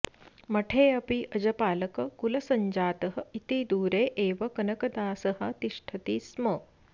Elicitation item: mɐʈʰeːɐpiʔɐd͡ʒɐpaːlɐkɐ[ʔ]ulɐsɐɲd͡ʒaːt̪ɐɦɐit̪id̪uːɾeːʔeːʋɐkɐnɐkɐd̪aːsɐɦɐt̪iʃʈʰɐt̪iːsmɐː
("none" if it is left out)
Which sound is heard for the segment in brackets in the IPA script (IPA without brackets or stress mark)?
k